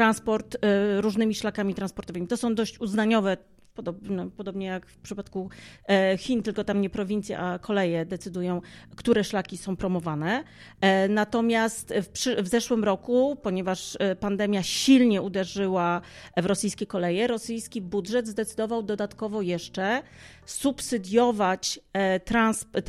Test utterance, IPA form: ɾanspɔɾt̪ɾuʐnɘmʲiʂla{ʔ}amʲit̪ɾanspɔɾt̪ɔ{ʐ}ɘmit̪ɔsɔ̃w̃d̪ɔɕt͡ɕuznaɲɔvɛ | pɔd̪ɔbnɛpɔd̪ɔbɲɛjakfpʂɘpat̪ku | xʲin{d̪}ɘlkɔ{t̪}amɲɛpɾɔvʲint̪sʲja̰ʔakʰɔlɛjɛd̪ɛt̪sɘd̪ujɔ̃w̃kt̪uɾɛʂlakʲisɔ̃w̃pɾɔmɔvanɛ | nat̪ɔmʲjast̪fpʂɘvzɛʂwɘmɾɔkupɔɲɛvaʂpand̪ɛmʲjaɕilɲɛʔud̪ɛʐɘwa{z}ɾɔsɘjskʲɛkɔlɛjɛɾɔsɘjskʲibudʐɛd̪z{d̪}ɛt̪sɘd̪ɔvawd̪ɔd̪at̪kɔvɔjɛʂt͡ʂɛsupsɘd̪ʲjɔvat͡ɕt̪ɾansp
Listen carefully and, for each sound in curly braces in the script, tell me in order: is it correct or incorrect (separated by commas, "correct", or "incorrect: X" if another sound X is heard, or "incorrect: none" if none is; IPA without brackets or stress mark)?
incorrect: k, incorrect: v, incorrect: t̪, correct, incorrect: v, correct